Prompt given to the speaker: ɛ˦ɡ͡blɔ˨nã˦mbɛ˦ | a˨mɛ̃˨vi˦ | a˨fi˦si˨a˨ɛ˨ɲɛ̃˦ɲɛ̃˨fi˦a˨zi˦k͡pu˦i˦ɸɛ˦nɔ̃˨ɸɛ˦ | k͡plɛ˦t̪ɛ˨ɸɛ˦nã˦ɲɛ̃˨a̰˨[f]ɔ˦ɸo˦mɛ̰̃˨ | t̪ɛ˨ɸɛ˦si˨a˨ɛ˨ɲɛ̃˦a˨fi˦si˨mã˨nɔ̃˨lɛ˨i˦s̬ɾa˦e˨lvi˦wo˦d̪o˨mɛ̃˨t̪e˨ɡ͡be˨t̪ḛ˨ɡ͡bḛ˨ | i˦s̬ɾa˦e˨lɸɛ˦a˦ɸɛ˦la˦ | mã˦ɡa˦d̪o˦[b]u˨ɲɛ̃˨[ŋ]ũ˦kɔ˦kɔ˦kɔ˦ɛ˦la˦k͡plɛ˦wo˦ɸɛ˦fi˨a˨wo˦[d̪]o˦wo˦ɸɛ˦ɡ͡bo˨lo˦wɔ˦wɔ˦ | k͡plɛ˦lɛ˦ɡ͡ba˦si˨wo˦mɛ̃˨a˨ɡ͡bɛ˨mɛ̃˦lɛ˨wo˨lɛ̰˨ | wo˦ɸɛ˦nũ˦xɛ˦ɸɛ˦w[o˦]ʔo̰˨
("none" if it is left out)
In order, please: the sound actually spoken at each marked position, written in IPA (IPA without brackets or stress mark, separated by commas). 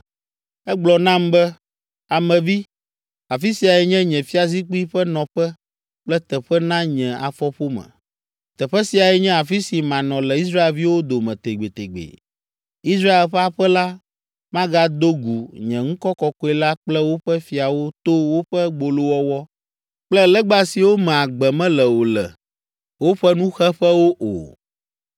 f, ɡ, ŋ, t̪, o˦